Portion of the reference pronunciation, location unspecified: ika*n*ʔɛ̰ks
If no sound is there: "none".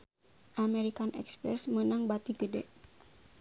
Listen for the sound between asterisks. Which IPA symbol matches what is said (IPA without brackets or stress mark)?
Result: n